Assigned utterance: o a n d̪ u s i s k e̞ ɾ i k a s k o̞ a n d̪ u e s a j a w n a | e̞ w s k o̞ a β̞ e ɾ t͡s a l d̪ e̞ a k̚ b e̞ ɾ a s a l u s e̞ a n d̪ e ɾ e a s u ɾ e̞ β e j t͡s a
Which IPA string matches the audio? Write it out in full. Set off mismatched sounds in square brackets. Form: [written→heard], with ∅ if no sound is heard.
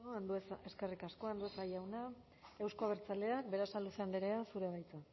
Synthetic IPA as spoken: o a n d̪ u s [i→e] s k e̞ [ɾ→r] i k a s k o̞ a n d̪ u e s a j a w n a | e̞ w s k o̞ a β̞ e ɾ t͡s a l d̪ e̞ a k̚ b e̞ ɾ a s a l u s e̞ a n d̪ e ɾ e a s u ɾ e̞ β [e→a] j t͡s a

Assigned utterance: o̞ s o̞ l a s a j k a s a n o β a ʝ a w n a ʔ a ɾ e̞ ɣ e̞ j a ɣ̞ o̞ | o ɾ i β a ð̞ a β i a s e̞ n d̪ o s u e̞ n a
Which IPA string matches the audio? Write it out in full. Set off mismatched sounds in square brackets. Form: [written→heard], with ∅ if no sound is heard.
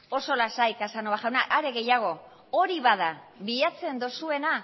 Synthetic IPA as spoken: o̞ s o̞ l a s a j k a s a n o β a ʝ a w n a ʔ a ɾ e̞ ɣ e̞ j a ɣ̞ o̞ | o ɾ i β a ð̞ a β i a [s→t͡s] e̞ n d̪ o s u e̞ n a

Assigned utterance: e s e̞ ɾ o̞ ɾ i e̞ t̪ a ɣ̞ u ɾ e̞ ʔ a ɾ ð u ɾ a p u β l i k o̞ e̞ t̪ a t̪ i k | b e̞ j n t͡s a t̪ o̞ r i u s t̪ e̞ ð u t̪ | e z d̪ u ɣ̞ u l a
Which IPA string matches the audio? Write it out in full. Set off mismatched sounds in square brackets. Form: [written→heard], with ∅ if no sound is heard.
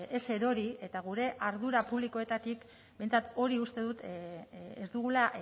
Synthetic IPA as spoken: e s e̞ ɾ o̞ ɾ i e̞ t̪ a ɣ̞ u ɾ e̞ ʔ a ɾ ð u ɾ a p u β l i k o̞ e̞ t̪ a t̪ i k | b e̞ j n t͡s a t̪ o̞ [r→ɾ] i u s t̪ e̞ ð u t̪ | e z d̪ u ɣ̞ u l a

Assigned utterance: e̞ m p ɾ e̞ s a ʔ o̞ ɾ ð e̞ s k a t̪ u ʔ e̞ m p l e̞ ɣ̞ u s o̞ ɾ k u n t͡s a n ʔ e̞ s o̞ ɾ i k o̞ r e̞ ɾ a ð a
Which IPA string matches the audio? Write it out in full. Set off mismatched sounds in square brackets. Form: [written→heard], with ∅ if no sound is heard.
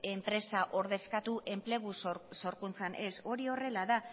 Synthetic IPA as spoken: e̞ m p ɾ e̞ s a ʔ o̞ ɾ ð e̞ s k a t̪ u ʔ e̞ m p l e̞ ɣ̞ u s o̞ ɾ k u n t͡s a n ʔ e̞ s o̞ ɾ i [k→∅] o̞ r e̞ [ɾ→l] a ð a

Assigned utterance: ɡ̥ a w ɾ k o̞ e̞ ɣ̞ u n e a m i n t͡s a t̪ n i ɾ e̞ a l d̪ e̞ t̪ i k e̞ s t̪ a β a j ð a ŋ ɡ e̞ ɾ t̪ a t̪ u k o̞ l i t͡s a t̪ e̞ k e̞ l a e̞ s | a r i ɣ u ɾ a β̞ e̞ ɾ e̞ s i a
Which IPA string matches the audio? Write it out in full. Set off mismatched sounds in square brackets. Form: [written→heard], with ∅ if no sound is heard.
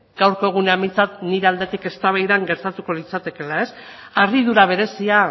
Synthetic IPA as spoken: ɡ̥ a w ɾ k o̞ e̞ ɣ̞ u n e a m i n t͡s a t̪ n i ɾ e̞ a l d̪ e̞ t̪ i k e̞ s t̪ a β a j ð a ŋ ɡ e̞ ɾ t̪ a t̪ u k o̞ l i t͡s a t̪ e̞ k e̞ l a e̞ s | a r i [ɣ→ð] u ɾ a β̞ e̞ ɾ e̞ s i a

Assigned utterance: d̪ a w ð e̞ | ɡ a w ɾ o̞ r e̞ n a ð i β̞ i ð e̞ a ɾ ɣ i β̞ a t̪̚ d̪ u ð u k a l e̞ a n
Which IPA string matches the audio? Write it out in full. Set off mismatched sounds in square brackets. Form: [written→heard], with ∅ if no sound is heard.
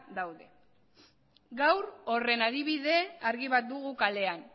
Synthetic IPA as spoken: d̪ a w ð e̞ | ɡ a w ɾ o̞ r e̞ n a ð i β̞ i ð e̞ a ɾ ɣ i β̞ a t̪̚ d̪ u [ð→ɣ] u k a l e̞ a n

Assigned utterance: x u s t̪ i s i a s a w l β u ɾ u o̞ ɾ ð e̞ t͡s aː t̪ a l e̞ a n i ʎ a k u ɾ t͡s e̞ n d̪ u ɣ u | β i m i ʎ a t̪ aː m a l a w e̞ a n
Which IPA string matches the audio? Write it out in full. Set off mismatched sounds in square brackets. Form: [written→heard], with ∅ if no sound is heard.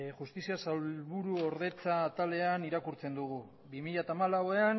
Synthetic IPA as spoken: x u s t̪ i s i a s a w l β u ɾ u o̞ ɾ ð e̞ t͡s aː t̪ a l e̞ a n i [ʎ→ɾ] a k u ɾ t͡s e̞ n d̪ u ɣ u | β i m i ʎ a t̪ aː m a l a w e̞ a n

